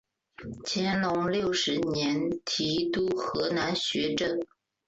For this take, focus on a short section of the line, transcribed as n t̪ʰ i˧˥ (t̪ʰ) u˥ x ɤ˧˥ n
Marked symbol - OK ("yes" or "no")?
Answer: no